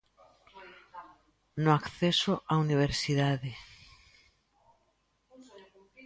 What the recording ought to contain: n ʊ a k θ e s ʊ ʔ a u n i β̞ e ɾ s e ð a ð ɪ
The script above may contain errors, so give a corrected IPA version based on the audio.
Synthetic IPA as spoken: n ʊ a k θ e s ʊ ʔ a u n i β̞ e ɾ s i ð a ð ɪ